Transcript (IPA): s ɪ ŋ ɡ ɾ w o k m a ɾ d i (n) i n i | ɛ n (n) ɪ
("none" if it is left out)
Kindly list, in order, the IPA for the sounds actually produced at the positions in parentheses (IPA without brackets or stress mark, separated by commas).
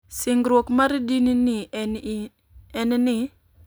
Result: n, n